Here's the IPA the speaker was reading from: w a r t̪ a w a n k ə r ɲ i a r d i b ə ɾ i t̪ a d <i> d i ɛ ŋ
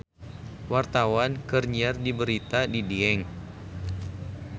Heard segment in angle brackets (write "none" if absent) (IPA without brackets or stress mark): i